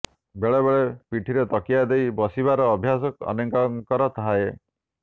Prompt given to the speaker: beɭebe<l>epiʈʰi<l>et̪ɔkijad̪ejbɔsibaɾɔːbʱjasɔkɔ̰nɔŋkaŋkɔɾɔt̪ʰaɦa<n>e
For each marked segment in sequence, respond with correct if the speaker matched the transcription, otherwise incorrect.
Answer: incorrect: ɭ, incorrect: ɾ, incorrect: none

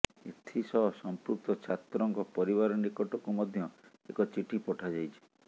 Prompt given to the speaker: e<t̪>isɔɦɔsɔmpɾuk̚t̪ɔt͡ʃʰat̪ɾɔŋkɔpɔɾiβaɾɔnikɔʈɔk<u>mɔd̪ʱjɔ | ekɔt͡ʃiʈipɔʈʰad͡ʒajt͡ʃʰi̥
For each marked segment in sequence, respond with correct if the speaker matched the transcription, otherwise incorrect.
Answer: incorrect: t̪ʰ, correct

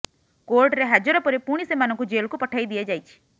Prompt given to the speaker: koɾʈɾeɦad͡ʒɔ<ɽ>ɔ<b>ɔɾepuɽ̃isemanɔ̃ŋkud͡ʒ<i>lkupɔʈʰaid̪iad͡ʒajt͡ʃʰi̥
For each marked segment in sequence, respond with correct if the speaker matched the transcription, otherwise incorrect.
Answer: incorrect: ɾ, incorrect: p, incorrect: e

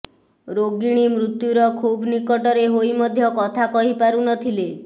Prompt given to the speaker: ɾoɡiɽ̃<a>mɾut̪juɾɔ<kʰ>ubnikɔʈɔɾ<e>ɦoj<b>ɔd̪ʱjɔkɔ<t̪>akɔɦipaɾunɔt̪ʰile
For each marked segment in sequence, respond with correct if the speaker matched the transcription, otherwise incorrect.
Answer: incorrect: i, correct, correct, incorrect: m, incorrect: t̪ʰ

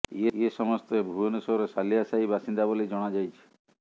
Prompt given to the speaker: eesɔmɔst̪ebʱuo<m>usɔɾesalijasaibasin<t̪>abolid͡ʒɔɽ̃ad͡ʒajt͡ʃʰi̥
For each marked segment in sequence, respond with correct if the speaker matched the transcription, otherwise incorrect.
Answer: incorrect: n, incorrect: d̪

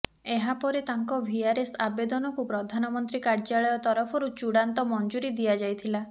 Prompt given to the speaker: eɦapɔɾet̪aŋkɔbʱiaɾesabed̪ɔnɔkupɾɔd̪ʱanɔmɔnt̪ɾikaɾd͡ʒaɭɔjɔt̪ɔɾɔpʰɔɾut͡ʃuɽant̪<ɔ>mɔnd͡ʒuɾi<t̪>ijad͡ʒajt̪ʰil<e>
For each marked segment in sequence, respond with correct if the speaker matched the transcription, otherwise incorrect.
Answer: correct, incorrect: d̪, incorrect: a

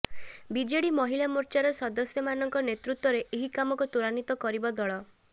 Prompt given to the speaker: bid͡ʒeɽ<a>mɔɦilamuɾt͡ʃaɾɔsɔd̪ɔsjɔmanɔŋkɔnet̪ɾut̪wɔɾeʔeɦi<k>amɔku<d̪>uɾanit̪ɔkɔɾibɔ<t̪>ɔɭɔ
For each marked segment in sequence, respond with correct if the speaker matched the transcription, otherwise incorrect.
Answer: incorrect: i, correct, incorrect: t̪, incorrect: d̪

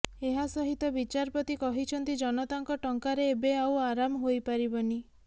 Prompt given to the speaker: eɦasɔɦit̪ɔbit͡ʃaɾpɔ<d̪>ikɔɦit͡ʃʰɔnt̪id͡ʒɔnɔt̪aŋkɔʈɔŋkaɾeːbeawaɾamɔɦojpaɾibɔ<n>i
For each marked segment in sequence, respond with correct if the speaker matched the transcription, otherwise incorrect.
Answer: incorrect: t̪, correct

